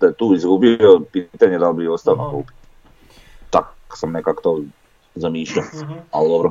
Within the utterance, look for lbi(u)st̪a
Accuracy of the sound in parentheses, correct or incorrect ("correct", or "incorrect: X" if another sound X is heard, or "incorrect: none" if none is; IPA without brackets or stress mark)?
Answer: incorrect: o